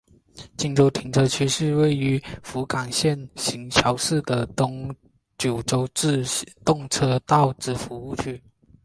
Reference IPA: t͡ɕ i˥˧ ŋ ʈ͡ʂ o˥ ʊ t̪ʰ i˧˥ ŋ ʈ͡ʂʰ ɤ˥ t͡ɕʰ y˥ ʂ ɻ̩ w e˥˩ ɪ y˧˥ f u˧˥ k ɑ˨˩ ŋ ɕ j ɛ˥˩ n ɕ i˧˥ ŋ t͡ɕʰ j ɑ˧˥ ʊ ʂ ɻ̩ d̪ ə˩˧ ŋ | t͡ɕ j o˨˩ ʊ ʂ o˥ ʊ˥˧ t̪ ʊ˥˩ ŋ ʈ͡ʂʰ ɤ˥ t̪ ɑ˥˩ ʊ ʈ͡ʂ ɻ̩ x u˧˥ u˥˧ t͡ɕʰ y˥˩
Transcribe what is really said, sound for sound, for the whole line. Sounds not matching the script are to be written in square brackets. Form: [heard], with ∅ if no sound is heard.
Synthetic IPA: t͡ɕ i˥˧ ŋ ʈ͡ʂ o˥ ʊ t̪ʰ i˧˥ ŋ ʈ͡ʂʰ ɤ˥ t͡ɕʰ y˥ ʂ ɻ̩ w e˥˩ ɪ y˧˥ f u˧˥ k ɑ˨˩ ŋ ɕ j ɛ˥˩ n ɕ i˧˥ ŋ t͡ɕʰ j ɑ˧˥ ʊ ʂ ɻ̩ d̪ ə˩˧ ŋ | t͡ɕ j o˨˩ ʊ [ʈ͡ʂ] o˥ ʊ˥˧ t̪ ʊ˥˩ ŋ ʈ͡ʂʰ ɤ˥ t̪ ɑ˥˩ ʊ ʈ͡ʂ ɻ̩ [f] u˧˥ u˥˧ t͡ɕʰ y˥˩